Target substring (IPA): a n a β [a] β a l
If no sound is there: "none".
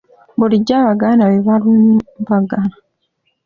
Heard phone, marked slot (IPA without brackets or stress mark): e